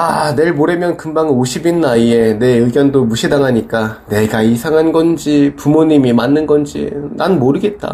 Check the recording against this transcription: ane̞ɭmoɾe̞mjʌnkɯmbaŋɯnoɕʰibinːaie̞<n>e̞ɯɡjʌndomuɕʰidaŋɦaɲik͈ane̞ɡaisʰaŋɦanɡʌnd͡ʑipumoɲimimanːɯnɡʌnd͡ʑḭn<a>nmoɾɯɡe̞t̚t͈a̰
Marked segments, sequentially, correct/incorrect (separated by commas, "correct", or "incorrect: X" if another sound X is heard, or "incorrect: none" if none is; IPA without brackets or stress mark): correct, correct